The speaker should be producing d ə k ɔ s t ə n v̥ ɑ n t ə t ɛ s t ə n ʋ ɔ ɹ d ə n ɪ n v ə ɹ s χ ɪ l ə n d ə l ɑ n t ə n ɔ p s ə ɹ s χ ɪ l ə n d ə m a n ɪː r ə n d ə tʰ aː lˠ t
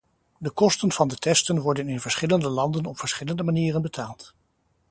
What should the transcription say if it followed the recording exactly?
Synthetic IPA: d ə k ɔ s t ə n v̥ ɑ n d ə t ɛ s t ə n ʋ ɔ ɹ d ə n ɪ n v ə ɹ s χ ɪ l ə n d ə l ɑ n d ə n ɔ p f ə ɹ s χ ɪ l ə n d ə m a n iː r ə n b ə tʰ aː lˠ t

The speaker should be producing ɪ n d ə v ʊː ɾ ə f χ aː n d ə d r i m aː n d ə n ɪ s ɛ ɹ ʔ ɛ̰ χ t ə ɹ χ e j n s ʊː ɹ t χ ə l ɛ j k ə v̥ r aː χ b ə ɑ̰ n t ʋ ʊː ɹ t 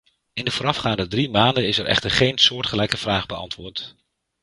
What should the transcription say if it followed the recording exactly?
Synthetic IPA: ɪ n d ə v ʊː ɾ ɑ f χ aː n d ə d r i m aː n d ə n ɪ s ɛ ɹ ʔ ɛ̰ χ t ə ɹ χ e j n s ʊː ɹ t χ ə l ɛ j k ə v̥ r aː χ b ə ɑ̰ n t ʋ ʊː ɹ t

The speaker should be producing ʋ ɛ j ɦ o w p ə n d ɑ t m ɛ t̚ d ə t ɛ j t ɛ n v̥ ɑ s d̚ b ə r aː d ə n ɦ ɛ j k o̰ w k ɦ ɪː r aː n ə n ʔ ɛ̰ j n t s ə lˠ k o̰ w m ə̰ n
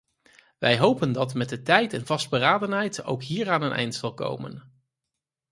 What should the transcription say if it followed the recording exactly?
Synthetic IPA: ʋ ɛ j ɦ o w p ə n d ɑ t m ɛ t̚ d ə t ɛ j t ɛ n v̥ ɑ s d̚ b ə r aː d ə n ɦ ɛ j t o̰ w k ɦ iː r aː n ə n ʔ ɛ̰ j n t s ɑ lˠ k o̰ w m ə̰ n

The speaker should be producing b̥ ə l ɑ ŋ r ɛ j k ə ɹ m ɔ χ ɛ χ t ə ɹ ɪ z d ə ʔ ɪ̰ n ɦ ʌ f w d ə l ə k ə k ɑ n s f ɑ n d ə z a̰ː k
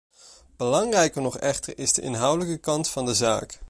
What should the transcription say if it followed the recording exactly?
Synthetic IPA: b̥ ə l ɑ ŋ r ɛ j k ə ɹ n ɔ χ ɛ χ t ə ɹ ɪ z d ə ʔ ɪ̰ n ɦ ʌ w d ə l ə k ə k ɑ n t f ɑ n d ə z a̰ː k

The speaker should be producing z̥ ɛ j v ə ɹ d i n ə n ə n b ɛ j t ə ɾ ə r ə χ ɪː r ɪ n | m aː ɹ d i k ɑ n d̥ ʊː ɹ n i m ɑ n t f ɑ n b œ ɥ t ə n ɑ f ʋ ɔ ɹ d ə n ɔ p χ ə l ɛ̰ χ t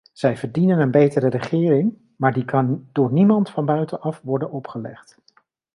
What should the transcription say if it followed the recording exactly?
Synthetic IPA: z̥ ɛ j v ə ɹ d i n ə n ə n b e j t ə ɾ ə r ə χ ɪː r ɪ ŋ | m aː ɹ d i k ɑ n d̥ ʊː ɹ n i m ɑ n t f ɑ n b œ ɥ t ə n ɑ f ʋ ɔ ɹ d ə n ɔ p χ ə l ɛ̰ χ t

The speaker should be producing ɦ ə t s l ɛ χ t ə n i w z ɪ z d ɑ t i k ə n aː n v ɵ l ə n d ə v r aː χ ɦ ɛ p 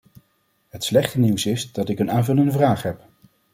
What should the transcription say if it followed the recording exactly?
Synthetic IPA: ɦ ə t s l ɛ χ t ə n i w s ɪ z d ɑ t ɪ k ə n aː n v ɵ l ə n d ə v r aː χ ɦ ɛ p

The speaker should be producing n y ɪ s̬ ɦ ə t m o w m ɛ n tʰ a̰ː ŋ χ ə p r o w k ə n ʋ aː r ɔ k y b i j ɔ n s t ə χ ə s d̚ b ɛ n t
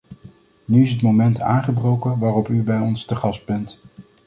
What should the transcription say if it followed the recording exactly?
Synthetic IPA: n y ɪ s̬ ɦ ə t m o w m ɛ n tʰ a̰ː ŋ χ ə b r o w k ə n ʋ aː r ɔ p y b ɛ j ɔ n s t ə χ ɑ s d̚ b ɛ n t

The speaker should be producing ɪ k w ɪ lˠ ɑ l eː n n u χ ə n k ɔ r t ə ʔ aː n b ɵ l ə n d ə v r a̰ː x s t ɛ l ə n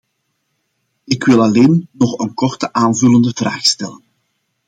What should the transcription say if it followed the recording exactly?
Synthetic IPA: ɪ k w ɪ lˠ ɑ l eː n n ɔ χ ə n k ɔ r t ə ʔ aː n v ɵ l ə n d ə v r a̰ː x s t ɛ l ə n

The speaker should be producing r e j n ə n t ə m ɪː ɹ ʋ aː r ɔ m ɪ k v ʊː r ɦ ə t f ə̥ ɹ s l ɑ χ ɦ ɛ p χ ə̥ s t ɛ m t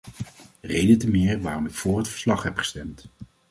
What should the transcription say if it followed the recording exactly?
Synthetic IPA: r e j d ə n t ə m ɪː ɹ ʋ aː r ɔ m ɪ k f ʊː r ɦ ə t f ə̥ ɹ s l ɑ χ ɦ ɛ p χ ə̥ s t ɛ m t

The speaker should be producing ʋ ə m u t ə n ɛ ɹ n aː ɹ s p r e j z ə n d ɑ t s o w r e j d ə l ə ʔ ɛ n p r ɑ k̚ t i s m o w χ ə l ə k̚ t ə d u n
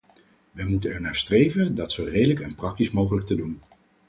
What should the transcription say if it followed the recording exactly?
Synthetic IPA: ʋ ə m u t ə n ɛ ɹ n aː ɹ s t r e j v ə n d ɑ t s o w r e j d ə l ə k ɛ n p r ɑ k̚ t i s m o w χ ə l ə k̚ t ə d u n

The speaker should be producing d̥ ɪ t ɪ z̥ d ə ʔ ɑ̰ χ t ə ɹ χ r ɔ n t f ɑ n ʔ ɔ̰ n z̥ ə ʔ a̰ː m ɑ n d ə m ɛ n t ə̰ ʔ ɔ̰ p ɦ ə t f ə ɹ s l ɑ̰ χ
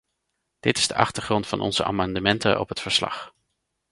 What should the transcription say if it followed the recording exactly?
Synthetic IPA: d̥ ɪ t ɪ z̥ d ə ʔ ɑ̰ χ t ə ɹ χ r ɔ n t f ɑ n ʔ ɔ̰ n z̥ ə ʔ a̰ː m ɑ n d ə m ɛ n t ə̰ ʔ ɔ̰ p ɦ ə t f ə ɹ s l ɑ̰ χ

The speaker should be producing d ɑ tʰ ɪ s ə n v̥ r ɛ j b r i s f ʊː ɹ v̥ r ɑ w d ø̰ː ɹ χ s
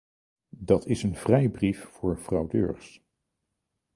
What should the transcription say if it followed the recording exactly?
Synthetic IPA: d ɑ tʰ ɪ s ə n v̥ r ɛ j b r i f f ʊː ɹ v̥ r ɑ w d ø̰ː ɹ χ s

